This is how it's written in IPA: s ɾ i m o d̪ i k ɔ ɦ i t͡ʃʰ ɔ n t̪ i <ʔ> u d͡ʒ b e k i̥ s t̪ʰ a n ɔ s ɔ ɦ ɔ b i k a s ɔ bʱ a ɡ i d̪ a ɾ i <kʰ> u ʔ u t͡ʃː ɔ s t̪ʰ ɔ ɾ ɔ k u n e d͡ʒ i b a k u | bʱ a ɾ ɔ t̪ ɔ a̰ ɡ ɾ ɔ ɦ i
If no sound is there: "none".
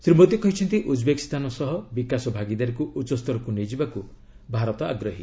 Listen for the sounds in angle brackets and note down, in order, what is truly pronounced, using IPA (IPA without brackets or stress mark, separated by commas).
ʔ, k